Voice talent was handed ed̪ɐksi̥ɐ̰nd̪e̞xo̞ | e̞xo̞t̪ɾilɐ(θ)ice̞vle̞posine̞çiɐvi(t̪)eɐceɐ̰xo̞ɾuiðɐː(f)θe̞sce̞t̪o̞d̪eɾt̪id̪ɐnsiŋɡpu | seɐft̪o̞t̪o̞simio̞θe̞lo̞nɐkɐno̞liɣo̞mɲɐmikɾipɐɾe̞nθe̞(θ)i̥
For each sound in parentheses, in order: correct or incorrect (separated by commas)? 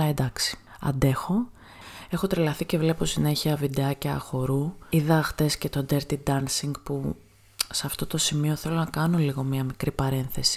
correct, incorrect, incorrect, incorrect